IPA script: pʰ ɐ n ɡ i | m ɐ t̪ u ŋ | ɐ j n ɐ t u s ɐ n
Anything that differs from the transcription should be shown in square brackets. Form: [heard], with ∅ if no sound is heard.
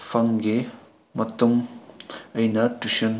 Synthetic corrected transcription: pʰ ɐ [ŋ] ɡ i | m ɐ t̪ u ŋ | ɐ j n ɐ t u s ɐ n